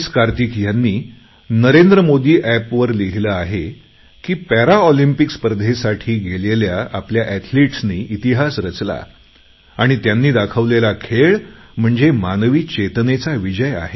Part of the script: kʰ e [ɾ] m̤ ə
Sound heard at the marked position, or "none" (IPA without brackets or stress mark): ɭ